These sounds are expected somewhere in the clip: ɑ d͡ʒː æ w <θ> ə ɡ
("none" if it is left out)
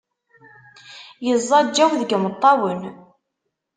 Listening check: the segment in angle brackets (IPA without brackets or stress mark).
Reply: ð